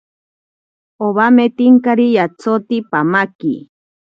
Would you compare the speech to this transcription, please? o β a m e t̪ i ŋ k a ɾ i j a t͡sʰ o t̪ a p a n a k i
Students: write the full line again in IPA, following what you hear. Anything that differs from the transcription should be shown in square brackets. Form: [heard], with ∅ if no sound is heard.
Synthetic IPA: o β a m e t̪ i ŋ k a ɾ i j a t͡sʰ o t̪ [i] p a [m] a k i